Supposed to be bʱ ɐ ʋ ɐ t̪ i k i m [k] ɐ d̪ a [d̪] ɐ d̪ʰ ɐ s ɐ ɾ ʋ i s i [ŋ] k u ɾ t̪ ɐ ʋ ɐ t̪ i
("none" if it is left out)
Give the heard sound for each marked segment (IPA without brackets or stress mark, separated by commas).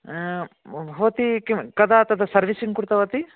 k, t̪, ŋ